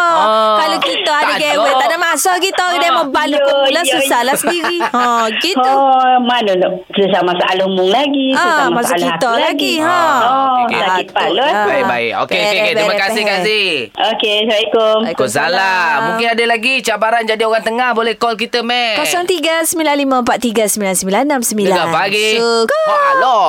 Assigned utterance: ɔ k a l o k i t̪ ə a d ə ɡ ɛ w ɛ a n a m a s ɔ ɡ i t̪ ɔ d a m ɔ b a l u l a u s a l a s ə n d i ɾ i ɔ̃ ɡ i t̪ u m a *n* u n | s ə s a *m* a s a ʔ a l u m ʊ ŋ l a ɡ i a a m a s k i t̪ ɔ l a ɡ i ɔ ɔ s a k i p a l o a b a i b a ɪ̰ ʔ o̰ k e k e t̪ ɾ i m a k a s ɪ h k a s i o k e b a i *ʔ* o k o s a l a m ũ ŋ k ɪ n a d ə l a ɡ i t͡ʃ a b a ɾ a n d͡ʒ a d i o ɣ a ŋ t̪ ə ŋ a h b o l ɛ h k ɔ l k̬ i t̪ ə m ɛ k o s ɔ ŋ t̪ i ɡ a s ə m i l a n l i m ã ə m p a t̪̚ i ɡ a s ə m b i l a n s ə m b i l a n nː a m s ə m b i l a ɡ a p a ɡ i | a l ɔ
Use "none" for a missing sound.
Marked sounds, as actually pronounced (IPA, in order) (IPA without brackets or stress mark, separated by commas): n, m, k